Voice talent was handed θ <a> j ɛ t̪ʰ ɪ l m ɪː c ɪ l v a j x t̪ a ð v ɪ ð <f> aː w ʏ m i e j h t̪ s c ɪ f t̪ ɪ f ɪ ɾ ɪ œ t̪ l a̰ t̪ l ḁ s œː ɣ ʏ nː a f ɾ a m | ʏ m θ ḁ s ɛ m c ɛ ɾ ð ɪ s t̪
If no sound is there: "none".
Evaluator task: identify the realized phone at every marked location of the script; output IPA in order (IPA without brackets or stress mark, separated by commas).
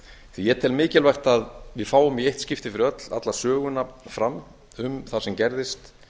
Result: i, f